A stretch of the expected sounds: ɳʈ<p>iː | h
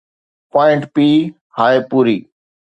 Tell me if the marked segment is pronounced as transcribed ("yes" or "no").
yes